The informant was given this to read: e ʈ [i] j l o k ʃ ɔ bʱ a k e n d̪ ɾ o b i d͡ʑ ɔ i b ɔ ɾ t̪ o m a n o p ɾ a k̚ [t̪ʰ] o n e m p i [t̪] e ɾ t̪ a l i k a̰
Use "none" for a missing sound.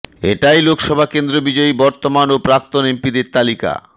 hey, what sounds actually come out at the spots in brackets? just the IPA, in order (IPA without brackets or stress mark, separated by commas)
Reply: a, t̪, d̪